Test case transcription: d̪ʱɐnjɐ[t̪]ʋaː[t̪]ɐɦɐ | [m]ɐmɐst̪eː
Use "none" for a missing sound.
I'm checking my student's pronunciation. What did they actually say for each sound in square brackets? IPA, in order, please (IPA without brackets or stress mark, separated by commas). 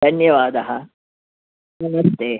none, d̪, n